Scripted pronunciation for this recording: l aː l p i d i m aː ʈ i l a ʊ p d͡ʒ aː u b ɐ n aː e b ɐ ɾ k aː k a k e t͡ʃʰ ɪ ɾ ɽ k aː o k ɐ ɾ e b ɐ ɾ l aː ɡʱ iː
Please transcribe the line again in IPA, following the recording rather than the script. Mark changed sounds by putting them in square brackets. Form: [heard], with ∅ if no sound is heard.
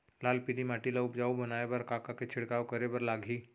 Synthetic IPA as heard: l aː l p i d i m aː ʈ i l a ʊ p d͡ʒ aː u b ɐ n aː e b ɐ ɾ k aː k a k e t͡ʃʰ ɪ [∅] ɽ k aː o k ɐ ɾ e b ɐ ɾ l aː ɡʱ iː